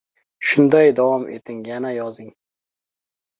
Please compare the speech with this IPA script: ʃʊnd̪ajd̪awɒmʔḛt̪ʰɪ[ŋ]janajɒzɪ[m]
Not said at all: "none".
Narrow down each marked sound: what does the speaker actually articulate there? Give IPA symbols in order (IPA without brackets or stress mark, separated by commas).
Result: ŋ, ŋ